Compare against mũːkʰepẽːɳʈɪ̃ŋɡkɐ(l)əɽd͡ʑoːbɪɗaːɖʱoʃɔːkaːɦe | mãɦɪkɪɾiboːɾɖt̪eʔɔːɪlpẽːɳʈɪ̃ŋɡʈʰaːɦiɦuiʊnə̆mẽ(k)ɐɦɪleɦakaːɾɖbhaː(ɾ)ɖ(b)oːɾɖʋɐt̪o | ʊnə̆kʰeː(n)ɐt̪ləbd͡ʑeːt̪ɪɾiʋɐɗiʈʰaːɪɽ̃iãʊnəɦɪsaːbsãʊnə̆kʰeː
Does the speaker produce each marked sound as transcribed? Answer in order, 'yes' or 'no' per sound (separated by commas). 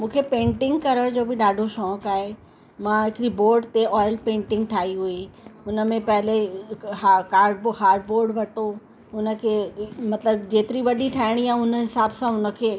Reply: no, no, yes, yes, no